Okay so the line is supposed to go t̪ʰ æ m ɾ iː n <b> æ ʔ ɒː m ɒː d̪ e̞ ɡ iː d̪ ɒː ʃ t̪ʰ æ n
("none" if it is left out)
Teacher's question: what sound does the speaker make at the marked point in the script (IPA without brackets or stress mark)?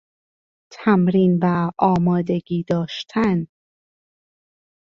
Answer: v